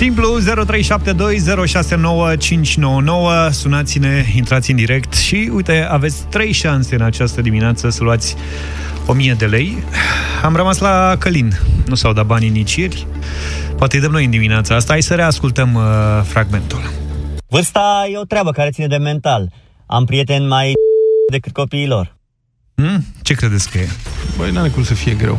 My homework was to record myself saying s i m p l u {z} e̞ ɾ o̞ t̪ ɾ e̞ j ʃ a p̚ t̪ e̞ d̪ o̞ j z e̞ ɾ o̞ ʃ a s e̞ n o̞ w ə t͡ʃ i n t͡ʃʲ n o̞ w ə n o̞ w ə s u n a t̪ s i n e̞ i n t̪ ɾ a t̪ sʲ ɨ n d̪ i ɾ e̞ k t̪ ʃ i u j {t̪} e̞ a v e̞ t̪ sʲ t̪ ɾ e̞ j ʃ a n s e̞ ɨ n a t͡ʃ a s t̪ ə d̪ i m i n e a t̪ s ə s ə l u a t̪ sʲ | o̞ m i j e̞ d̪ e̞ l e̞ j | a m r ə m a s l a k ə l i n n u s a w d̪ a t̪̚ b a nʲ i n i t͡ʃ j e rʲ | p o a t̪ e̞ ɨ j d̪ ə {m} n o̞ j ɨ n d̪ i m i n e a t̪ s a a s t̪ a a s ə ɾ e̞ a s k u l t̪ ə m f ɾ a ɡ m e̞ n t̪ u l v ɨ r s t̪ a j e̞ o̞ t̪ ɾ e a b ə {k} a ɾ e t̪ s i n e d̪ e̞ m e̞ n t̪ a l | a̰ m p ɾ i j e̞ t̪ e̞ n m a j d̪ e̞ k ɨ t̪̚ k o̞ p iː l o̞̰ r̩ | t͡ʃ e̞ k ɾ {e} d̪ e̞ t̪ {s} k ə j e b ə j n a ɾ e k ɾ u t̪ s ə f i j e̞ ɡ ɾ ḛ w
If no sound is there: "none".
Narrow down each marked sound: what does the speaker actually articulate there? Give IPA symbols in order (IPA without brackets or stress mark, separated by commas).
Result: z, t̪, m, k, e, s